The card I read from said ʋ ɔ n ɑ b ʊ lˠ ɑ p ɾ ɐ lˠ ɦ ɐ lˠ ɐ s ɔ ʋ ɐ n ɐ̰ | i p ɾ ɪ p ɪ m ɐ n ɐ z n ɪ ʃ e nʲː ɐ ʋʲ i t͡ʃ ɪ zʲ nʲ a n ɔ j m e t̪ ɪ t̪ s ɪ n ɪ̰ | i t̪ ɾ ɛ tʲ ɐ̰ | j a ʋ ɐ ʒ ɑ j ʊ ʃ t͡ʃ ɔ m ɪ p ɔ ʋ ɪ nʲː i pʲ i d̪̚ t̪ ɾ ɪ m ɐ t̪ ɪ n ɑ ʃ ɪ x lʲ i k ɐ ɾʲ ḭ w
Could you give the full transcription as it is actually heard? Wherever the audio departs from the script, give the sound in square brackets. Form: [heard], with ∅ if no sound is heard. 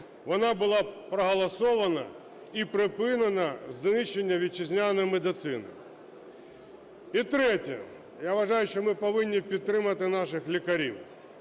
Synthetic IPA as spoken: ʋ ɔ n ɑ b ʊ lˠ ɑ p ɾ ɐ [∅] ɦ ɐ lˠ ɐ s ɔ ʋ ɐ n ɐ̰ | i p ɾ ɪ p ɪ [n] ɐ n ɐ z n ɪ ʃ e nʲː ɐ ʋʲ i t͡ʃ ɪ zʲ nʲ a n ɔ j m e [d̪] ɪ t̪ s ɪ n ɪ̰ | i t̪ ɾ ɛ tʲ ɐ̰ | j a ʋ ɐ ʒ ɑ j ʊ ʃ t͡ʃ ɔ m ɪ p ɔ ʋ ɪ nʲː i pʲ i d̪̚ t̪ ɾ ɪ m ɐ t̪ ɪ n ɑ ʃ ɪ x lʲ i k ɐ ɾʲ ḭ w